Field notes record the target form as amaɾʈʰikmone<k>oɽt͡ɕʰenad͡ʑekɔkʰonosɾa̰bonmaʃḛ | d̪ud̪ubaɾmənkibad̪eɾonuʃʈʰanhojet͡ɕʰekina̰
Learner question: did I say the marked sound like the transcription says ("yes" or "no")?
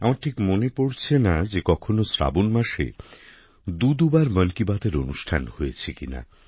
no